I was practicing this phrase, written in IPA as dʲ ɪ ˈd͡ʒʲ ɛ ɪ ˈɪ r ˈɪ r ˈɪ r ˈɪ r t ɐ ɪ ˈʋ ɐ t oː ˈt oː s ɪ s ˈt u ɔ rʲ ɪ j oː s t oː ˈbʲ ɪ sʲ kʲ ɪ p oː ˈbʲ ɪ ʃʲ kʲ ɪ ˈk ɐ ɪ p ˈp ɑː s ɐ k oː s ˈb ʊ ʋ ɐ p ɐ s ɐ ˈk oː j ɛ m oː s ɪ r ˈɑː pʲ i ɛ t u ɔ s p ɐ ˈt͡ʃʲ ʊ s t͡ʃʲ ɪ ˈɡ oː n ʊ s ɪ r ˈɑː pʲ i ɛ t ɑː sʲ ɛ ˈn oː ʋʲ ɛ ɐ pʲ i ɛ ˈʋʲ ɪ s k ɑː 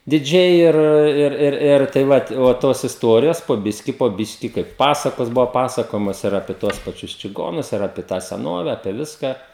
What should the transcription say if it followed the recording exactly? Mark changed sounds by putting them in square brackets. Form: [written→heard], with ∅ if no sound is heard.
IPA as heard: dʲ ɪ ˈd͡ʒʲ ɛ ɪ ˈɪ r ˈɪ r ˈɪ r ˈɪ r t ɐ ɪ ˈʋ ɐ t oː ˈt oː s ɪ s ˈt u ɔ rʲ ɪ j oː s [t→p] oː ˈbʲ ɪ sʲ kʲ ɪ p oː ˈbʲ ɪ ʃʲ kʲ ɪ ˈk ɐ ɪ p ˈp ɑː s ɐ k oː s ˈb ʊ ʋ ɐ p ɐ s ɐ ˈk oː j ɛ m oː s ɪ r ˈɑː pʲ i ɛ t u ɔ s p ɐ ˈt͡ʃʲ ʊ s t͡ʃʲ ɪ ˈɡ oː n ʊ s ɪ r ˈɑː pʲ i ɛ t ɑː sʲ ɛ ˈn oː ʋʲ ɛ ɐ pʲ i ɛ ˈʋʲ ɪ s k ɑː